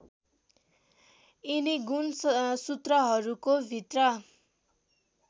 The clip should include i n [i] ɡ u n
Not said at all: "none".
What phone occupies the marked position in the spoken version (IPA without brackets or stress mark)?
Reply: i